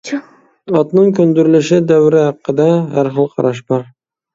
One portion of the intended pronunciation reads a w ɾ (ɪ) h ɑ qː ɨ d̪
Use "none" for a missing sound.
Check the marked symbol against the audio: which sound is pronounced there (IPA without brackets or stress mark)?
ɪ